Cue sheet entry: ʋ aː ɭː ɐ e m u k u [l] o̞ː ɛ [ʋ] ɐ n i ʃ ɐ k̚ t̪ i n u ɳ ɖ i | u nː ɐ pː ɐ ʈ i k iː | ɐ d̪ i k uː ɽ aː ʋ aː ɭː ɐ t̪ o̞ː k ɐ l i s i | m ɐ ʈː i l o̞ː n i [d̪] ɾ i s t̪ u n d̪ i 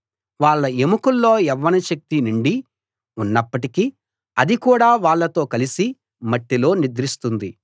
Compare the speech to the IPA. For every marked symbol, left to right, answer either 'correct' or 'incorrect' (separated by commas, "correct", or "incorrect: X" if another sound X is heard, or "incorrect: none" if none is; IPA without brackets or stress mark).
incorrect: lː, incorrect: ʋː, correct